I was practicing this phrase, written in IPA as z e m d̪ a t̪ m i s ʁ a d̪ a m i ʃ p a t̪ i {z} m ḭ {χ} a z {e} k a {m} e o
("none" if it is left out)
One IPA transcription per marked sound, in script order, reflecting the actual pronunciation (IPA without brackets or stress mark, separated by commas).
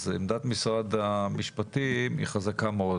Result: none, χ, a, m